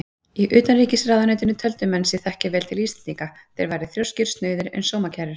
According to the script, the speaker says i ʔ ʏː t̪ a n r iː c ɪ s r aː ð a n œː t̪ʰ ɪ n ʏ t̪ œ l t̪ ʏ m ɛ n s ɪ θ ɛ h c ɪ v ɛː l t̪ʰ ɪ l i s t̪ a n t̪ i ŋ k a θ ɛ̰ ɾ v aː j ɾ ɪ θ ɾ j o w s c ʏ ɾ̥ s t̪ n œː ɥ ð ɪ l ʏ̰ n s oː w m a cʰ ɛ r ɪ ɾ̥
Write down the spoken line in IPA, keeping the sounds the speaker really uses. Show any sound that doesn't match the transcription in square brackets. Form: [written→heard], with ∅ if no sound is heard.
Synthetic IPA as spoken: i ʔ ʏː t̪ a n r iː c ɪ s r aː ð a n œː [t̪ʰ→t̪] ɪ n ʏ [t̪→t̪ʰ] œ l t̪ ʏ m ɛ n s ɪ θ ɛ h c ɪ v ɛː l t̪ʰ ɪ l i s t̪ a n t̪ i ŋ k a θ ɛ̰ ɾ v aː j ɾ ɪ θ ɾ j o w s c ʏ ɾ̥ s t̪ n œː ɥ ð ɪ [l→ɾ] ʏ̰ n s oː w m a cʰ ɛ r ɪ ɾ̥